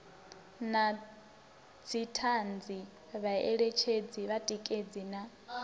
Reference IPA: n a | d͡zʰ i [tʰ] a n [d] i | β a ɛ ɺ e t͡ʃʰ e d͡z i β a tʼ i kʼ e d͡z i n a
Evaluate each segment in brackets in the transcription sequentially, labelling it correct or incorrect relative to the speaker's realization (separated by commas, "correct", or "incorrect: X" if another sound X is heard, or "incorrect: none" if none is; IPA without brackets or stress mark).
correct, incorrect: d͡z